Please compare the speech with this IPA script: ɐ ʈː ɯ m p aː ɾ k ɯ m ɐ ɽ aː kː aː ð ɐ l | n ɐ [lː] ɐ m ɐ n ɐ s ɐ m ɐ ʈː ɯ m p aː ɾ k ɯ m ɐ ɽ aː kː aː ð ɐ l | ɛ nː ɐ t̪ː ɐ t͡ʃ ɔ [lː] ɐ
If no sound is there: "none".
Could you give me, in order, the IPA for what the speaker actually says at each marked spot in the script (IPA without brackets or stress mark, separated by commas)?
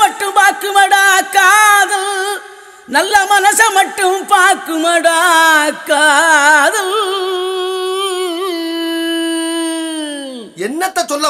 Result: lː, lː